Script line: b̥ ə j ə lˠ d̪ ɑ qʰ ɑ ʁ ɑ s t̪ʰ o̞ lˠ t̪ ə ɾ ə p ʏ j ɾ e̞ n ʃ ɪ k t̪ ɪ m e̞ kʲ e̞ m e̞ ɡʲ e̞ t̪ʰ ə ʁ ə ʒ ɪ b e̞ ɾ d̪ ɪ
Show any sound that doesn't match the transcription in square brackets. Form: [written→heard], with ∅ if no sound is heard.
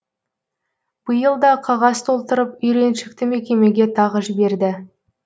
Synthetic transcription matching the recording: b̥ ə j ə lˠ d̪ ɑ qʰ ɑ ʁ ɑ s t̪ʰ o̞ lˠ t̪ ə ɾ ə p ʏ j ɾ e̞ n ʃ ɪ k t̪ ɪ m e̞ kʲ e̞ m e̞ ɡʲ e̞ t̪ʰ [ə→ɑ] ʁ ə ʒ ɪ b e̞ ɾ d̪ ɪ